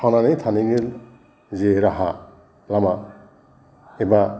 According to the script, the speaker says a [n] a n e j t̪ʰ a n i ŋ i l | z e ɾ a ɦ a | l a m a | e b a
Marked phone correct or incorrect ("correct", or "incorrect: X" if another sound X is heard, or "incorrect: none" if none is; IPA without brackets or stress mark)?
correct